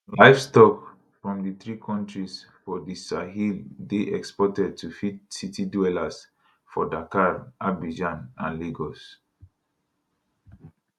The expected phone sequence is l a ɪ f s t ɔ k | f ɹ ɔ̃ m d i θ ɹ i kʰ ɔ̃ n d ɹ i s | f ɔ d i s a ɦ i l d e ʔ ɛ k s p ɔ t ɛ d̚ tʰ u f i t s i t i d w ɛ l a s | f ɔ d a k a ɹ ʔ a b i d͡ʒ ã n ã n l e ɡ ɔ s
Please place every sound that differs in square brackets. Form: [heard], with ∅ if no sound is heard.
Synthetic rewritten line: l a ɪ f s t ɔ k | f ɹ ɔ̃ m d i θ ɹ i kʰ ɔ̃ n [t] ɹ i s | f ɔ d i s a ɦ i l d e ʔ ɛ k s p ɔ t ɛ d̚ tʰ u f i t s i t i d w ɛ l a s | f ɔ d a k a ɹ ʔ a b i d͡ʒ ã n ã n l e ɡ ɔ s

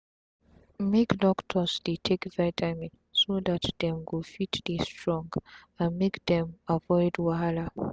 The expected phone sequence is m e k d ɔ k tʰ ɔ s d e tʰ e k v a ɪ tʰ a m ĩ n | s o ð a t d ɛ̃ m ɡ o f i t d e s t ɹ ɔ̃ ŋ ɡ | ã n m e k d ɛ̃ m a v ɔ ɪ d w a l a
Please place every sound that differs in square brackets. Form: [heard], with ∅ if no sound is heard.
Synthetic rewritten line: m e k d ɔ k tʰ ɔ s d e tʰ e k v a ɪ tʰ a m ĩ n | s o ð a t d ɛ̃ m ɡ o f i t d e s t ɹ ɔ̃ ŋ ɡ | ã n m e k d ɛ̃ m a v ɔ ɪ d w a l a

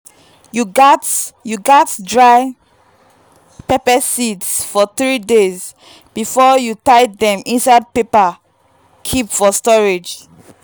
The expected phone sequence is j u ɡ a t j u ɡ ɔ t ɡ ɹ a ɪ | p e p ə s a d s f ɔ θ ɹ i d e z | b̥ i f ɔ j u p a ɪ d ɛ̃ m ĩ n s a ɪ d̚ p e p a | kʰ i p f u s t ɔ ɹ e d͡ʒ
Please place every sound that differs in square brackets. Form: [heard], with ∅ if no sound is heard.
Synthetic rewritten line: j u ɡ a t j u ɡ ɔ t [d] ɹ a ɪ | p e p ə s [i] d s f ɔ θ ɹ i d e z | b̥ i f ɔ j u [t] a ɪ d ɛ̃ m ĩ n s a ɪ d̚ p e p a | kʰ i p f [ɔ] s t ɔ ɹ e d͡ʒ

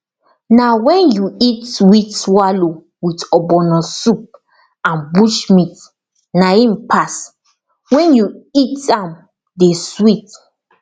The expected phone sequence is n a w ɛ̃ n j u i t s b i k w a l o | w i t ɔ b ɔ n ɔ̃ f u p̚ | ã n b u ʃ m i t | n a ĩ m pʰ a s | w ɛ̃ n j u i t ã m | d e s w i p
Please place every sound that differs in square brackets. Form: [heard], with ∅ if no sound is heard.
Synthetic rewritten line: n a w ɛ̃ n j u i t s [w] i [t] w a l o | w i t ɔ b ɔ n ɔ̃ [s] u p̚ | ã n b u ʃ m i t | n a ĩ m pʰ a s | w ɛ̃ n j u i t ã m | d e s w i [t]

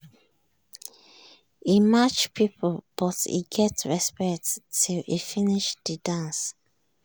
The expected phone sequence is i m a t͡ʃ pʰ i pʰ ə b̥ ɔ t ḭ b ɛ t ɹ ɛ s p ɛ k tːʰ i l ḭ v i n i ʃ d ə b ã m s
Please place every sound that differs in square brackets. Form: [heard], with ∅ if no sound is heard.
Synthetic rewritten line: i m a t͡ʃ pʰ i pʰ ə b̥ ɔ t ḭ [ɡ] ɛ t ɹ ɛ s p ɛ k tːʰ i l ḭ [f] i n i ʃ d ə [d] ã [n] s

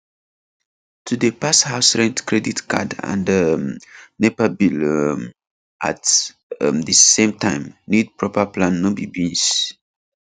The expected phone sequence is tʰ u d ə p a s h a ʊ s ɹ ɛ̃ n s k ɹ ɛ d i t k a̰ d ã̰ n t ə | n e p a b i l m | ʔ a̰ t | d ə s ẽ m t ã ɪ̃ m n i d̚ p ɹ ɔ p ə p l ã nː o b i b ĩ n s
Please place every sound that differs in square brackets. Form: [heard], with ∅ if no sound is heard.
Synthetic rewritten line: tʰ u d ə p a s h a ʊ s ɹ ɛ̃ n [t] k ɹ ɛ d i t k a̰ d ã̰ n [d] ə | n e p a b i l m | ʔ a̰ t | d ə s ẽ m t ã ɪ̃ m n i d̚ p ɹ ɔ p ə p l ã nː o b i b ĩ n s

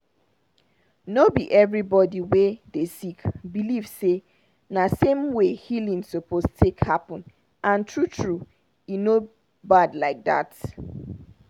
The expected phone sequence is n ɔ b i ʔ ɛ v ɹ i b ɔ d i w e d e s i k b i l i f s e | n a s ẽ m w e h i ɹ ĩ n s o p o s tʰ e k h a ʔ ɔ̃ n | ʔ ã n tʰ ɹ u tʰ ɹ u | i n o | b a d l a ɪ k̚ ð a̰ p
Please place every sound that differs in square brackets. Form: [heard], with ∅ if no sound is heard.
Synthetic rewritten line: n [o] b i ʔ ɛ v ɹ i b ɔ d i w e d e s i k b i l i [v] s e | n a s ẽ m w e h i [l] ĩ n s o p o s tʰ e k h a [p] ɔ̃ n | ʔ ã n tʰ ɹ u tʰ ɹ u | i n o | b a d l a ɪ k̚ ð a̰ [t]

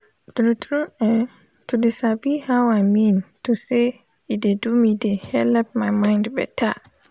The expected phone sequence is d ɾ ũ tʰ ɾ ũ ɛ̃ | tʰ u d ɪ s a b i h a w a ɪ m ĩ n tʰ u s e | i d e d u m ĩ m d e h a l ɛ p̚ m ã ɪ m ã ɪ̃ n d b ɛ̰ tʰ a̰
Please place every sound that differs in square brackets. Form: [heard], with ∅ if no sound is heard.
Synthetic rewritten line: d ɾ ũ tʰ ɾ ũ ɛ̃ | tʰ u d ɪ s a b i h a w a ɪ m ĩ n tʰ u s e | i d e d u m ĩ [∅] d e h [ɛ] l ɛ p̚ m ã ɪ m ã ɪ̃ n d b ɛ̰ tʰ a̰

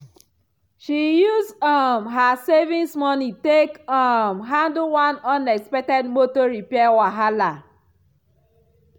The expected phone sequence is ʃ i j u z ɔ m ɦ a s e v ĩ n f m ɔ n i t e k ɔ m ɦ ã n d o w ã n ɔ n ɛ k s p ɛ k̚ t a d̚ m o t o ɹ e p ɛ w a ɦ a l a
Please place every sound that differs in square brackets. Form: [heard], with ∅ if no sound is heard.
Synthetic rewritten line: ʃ i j u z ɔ m ɦ a s e v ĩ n [s] m ɔ n i t e k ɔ m ɦ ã n d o w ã n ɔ n ɛ k s p ɛ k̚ t [ɛ] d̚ m o t o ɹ [i] p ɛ w a ɦ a l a

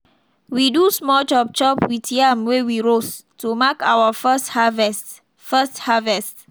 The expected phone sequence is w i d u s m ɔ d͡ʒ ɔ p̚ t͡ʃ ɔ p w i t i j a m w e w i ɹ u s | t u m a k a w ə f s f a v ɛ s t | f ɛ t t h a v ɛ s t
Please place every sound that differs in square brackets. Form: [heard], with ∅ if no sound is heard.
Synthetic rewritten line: w i d u s m ɔ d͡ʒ ɔ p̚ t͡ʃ ɔ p w i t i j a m w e w i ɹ [o] s | t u m a k a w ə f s [h] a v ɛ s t | f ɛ [s] t h a v ɛ s t

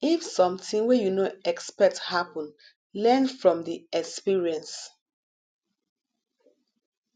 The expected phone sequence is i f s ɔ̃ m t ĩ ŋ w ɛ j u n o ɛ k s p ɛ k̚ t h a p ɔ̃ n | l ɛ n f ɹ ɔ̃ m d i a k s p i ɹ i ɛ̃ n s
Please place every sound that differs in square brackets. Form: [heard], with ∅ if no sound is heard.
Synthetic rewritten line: i f s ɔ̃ m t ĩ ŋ w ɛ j u n o ɛ k s p ɛ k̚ t h a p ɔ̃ n | l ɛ n f ɹ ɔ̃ m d i [ɛ] k s p i ɹ i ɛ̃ n s

